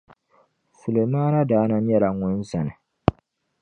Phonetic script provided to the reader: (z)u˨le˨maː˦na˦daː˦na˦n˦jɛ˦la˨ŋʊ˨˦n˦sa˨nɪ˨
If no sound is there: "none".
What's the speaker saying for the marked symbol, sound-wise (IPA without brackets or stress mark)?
s